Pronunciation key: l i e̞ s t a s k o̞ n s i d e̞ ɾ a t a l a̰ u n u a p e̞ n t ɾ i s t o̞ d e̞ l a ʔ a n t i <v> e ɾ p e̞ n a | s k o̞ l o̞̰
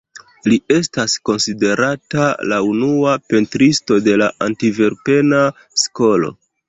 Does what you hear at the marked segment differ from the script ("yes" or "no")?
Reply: no